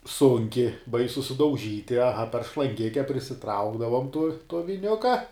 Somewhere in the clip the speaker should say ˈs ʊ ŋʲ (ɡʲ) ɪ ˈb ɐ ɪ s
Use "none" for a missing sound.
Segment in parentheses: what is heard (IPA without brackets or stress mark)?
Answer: kʲ